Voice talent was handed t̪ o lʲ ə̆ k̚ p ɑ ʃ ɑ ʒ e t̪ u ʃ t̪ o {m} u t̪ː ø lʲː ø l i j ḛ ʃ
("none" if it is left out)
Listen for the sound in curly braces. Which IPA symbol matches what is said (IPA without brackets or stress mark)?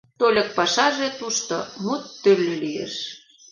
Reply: m